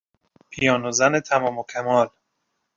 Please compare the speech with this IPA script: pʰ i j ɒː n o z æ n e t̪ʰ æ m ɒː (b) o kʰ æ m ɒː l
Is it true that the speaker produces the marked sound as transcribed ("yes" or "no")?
no